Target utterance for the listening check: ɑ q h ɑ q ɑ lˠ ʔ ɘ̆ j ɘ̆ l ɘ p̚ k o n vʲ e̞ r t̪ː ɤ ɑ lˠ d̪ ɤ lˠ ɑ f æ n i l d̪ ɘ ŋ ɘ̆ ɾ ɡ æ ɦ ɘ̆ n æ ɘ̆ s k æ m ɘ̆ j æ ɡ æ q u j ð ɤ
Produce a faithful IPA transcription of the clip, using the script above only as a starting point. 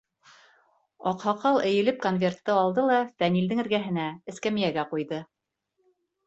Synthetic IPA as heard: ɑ q h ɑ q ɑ lˠ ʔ ɘ̆ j ɘ̆ l ɘ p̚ k o n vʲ e̞ r t̪ː ɤ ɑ lˠ d̪ ɤ lˠ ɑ f æ n i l d̪ ɘ ŋ ɘ̆ ɾ ɡ æ ɦ ɘ̆ n æ ɘ̆ s k æ m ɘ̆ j æ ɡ æ q u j ð ɤ